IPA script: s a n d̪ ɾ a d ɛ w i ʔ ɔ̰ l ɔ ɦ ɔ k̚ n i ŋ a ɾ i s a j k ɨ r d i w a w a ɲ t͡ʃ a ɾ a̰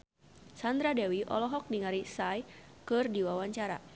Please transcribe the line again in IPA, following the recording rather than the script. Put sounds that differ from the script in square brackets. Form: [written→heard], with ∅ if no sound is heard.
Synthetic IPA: s a n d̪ ɾ a d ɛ w i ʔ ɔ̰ l ɔ ɦ ɔ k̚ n i ŋ a ɾ i s a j k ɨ r d i w a w a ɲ t͡ʃ a ɾ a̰